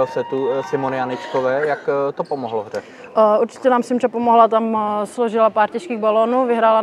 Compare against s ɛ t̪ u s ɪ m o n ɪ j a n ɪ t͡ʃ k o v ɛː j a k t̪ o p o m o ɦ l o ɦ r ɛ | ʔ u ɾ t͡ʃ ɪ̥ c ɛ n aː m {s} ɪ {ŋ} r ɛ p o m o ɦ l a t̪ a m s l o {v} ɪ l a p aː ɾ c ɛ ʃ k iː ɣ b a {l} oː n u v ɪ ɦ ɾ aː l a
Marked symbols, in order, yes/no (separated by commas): yes, no, no, yes